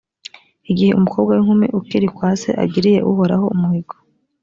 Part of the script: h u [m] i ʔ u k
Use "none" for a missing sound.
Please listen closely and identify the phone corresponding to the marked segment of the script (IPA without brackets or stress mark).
m